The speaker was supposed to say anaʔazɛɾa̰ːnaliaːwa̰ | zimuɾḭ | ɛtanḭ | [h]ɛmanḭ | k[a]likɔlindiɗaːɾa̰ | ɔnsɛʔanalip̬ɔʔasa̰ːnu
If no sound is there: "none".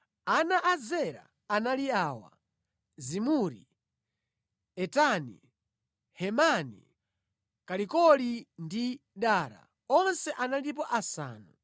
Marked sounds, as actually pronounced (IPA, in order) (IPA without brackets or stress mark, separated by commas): h, a